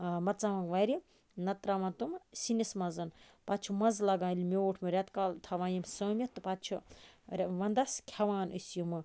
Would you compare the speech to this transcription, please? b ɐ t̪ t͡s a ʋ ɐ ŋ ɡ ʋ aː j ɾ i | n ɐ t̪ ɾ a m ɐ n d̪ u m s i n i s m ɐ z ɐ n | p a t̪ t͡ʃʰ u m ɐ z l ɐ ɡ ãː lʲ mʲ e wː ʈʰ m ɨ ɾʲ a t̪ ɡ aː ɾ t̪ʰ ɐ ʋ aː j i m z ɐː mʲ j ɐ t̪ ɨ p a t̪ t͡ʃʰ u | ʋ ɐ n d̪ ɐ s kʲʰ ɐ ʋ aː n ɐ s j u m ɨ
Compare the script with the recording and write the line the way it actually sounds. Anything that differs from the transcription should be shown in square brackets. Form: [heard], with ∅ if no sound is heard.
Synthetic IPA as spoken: [m] ɐ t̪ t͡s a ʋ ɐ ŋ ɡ ʋ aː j ɾ i | n ɐ t̪ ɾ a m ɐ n [t̪] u m s i n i s m ɐ z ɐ n | p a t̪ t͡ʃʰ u m ɐ z l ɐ ɡ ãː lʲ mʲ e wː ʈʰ m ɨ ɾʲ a t̪ [k] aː [l] t̪ʰ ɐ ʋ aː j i m [s] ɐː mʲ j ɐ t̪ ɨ p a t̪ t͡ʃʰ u | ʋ ɐ n d̪ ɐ s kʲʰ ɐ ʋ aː n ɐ s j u m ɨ